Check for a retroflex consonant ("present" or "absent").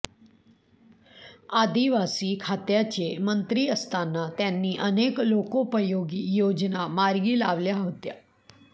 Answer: absent